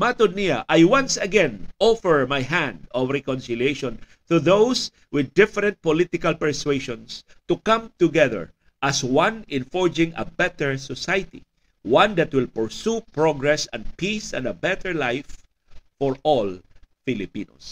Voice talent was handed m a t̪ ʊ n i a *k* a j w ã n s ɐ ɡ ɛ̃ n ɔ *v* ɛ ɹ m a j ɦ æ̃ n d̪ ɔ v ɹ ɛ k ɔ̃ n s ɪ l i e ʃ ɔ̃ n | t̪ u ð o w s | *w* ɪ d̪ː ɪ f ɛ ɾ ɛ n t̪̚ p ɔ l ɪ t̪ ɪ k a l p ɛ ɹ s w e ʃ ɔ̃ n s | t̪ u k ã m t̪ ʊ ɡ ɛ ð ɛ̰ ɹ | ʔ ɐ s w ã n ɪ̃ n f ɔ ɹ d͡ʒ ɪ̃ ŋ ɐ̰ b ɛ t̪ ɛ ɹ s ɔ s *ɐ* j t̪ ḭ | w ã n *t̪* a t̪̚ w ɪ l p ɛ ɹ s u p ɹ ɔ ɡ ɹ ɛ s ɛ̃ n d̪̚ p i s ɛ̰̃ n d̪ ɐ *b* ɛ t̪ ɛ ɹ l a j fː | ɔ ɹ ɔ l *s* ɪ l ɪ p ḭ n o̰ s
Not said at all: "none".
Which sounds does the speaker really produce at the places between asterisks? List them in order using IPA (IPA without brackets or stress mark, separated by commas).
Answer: ʔ, f, w, a, d̪, b, f